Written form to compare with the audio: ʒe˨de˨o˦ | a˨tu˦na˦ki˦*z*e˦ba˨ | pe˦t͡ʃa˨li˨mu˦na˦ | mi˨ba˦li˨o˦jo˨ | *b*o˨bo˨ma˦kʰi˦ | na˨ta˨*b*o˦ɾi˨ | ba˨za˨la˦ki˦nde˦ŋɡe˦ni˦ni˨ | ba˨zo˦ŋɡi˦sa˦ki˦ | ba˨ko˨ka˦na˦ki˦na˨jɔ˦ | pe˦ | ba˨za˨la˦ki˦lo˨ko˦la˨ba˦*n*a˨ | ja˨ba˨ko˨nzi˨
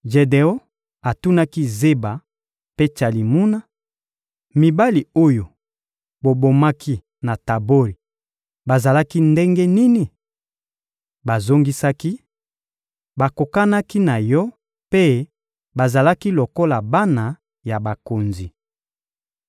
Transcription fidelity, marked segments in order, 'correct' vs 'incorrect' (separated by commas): correct, correct, correct, correct